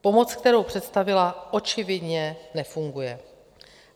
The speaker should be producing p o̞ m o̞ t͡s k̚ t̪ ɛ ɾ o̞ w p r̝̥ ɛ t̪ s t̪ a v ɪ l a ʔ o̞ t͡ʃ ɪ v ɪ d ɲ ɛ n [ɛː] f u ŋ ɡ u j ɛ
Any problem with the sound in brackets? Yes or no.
yes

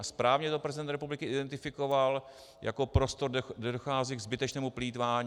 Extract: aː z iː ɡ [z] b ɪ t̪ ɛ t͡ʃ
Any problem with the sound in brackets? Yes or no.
no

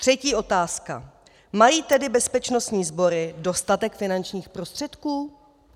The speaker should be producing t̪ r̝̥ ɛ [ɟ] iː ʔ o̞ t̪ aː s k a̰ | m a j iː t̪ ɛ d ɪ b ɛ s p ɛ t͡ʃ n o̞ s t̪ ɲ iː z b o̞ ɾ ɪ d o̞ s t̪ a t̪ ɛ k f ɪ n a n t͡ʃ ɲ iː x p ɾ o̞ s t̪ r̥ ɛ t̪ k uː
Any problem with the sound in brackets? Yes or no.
yes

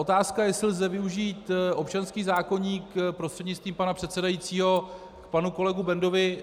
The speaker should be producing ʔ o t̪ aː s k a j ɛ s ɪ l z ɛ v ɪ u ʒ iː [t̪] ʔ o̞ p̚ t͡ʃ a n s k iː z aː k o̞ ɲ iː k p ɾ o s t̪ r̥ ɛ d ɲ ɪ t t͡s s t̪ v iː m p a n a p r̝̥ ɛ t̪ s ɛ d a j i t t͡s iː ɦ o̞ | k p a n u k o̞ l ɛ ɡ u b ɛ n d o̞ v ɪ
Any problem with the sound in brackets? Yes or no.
no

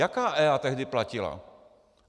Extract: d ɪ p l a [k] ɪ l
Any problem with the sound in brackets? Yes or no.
yes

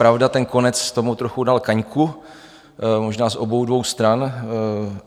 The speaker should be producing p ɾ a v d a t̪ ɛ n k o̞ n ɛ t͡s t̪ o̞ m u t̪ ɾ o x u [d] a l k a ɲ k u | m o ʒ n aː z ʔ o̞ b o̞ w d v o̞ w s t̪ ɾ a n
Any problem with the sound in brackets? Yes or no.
no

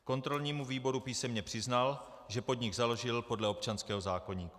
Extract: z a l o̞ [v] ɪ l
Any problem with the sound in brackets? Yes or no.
yes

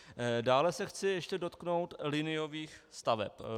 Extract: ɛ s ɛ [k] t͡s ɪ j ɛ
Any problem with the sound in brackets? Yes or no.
yes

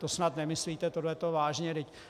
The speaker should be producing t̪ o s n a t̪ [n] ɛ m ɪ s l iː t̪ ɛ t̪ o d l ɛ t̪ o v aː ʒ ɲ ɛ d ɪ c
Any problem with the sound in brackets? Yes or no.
no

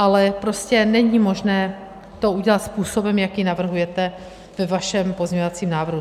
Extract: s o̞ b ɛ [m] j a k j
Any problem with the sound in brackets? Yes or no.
no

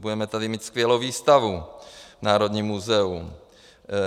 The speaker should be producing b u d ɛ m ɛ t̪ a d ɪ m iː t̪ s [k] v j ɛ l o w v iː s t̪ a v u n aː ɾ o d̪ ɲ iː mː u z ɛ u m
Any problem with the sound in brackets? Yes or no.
no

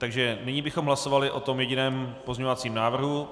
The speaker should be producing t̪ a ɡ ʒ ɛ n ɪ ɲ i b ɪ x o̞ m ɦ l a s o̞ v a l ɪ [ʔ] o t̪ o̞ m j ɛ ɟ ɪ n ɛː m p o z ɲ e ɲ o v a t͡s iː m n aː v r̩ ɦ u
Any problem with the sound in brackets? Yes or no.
no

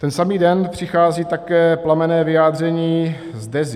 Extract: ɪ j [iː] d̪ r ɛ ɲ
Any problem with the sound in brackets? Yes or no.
yes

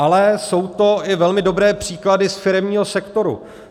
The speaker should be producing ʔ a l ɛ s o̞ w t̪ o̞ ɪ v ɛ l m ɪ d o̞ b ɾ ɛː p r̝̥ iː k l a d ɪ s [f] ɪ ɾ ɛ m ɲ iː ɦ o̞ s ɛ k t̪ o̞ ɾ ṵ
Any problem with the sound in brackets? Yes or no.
no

